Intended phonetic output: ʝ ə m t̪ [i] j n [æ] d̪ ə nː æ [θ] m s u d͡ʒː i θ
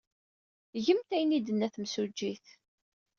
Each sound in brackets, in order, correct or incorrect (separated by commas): incorrect, incorrect, correct